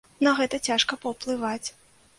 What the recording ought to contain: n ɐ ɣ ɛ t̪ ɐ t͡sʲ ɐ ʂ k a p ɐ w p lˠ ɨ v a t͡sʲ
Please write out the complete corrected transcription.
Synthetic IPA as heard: n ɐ ɣ ɛ t̪ ɐ t͡sʲ a ʂ k ɐ p ɐ w p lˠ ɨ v a t͡sʲ